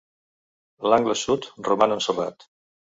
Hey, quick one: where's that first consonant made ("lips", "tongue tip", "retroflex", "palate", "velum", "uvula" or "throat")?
tongue tip